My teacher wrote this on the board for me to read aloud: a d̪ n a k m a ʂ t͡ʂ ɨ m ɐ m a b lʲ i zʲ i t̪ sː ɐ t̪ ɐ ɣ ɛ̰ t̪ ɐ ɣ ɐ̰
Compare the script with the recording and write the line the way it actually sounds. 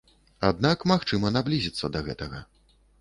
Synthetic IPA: a d̪ n a k m a x t͡ʂ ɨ m ɐ n a b lʲ i zʲ i t̪ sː ɐ d̪ ɐ ɣ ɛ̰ t̪ ɐ ɣ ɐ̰